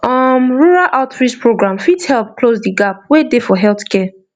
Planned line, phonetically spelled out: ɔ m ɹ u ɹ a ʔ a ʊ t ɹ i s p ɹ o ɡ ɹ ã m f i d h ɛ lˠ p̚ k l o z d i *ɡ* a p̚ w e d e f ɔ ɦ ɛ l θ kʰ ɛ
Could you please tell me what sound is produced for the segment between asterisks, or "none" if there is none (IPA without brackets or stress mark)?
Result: ɡ